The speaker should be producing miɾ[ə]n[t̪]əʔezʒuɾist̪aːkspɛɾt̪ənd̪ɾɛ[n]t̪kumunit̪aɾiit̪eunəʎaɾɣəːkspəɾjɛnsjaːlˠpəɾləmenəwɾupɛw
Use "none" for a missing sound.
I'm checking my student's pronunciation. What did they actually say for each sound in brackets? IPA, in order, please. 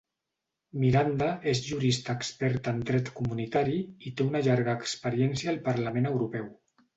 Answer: a, d̪, none

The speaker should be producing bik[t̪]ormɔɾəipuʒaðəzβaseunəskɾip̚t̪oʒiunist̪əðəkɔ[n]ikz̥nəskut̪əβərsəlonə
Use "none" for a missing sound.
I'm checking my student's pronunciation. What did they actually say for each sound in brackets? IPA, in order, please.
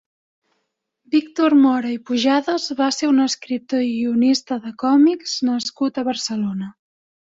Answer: t̪, m

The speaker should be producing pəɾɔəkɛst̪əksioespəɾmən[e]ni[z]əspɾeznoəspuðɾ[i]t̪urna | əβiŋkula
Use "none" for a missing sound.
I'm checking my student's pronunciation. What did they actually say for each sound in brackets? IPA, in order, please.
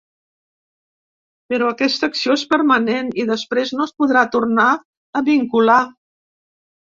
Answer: e, ð, a

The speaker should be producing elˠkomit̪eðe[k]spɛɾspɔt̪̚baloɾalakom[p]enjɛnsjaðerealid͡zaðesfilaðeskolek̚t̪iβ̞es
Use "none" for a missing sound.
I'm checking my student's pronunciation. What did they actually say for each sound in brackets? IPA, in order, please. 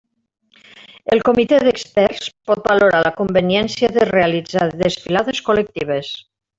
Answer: k, b

